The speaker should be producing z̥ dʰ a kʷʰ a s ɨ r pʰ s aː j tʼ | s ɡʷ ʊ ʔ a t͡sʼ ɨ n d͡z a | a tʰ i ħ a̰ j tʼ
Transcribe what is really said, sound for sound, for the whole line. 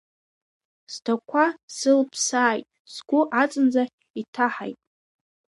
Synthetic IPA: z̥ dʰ a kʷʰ a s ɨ l pʰ s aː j tʼ | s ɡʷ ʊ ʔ a t͡sʼ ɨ n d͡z a | i tʰ a ħ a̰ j tʼ